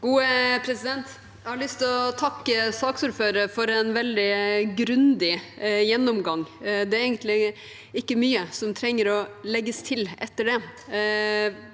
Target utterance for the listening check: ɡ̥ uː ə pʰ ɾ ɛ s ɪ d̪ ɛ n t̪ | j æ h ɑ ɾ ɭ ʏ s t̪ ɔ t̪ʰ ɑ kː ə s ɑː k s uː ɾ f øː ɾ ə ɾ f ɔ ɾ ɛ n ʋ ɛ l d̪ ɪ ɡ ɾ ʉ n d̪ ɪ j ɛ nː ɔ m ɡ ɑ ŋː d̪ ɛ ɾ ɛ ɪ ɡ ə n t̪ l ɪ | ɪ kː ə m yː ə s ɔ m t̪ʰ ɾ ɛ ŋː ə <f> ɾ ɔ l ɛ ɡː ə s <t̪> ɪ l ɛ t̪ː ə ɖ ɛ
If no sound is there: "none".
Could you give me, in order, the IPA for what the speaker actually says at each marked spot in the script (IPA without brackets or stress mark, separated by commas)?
none, t̪ʰ